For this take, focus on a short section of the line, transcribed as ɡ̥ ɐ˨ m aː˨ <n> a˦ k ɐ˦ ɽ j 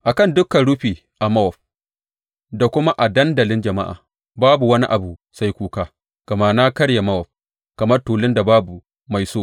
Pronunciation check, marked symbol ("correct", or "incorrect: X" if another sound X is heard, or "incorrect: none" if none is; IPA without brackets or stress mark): correct